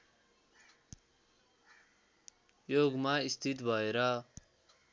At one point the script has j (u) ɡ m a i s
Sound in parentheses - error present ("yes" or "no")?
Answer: yes